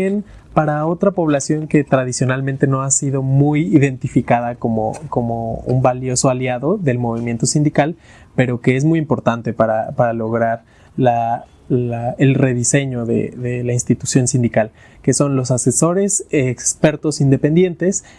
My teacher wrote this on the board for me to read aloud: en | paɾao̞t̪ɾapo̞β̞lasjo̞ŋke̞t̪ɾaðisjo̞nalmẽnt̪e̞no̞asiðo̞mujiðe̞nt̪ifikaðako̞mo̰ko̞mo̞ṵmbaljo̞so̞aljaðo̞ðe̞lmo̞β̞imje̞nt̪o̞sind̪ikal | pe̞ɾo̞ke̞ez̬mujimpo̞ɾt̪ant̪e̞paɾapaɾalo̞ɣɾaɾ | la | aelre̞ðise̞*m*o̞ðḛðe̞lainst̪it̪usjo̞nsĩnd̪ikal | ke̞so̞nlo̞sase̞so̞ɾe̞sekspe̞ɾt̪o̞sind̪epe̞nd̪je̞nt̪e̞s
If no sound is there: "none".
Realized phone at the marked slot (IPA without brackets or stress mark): ɲ